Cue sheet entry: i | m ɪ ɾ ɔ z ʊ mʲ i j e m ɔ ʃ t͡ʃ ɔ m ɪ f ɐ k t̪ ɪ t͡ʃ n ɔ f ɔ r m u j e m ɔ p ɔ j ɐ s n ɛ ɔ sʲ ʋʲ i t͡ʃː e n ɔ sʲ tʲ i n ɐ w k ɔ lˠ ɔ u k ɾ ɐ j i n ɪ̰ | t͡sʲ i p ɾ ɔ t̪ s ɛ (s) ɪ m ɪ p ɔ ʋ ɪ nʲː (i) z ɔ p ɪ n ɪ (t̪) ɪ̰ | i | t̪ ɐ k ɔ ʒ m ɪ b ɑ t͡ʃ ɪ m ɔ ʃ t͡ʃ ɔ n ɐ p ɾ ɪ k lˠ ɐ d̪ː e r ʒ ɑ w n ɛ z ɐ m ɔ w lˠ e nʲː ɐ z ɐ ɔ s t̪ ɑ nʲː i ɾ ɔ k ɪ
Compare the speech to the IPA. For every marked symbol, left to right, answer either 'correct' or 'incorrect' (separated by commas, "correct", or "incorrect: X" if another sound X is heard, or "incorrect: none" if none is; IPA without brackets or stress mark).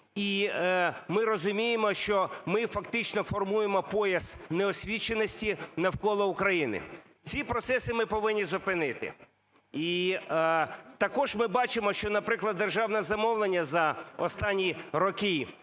correct, correct, correct